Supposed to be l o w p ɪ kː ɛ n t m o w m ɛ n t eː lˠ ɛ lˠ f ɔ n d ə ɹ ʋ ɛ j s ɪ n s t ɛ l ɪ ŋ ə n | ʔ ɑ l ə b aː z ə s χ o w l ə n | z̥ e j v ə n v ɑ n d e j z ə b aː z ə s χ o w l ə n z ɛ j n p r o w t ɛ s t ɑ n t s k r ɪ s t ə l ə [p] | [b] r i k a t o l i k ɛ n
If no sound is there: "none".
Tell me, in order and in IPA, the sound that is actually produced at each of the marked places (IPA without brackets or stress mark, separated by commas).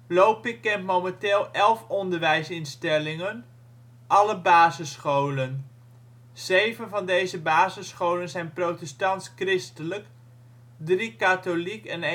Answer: k, d